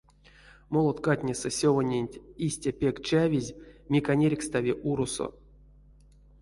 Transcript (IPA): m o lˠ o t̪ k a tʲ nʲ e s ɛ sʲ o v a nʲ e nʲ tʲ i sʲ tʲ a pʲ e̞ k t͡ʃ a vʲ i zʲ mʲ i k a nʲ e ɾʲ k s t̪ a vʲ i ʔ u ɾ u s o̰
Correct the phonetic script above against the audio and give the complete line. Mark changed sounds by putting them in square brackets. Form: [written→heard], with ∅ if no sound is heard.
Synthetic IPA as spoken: m o lˠ o t̪ k a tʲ nʲ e s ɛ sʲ o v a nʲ e nʲ tʲ i sʲ tʲ a pʲ e̞ k t͡ʃ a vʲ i zʲ mʲ i k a nʲ e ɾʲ k s t̪ a vʲ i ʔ u ɾ u s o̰